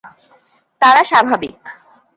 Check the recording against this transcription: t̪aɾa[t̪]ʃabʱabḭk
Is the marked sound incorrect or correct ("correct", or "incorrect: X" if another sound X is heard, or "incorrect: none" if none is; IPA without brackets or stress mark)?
incorrect: none